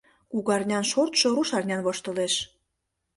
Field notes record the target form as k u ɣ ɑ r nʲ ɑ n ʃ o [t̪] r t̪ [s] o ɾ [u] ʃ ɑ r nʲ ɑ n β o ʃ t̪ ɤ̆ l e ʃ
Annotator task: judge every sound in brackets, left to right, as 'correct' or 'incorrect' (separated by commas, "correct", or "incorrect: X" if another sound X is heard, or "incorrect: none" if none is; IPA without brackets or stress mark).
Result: incorrect: none, incorrect: ʃ, correct